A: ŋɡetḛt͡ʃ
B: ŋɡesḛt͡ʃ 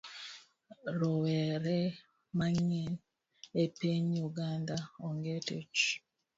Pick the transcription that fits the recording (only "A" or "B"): A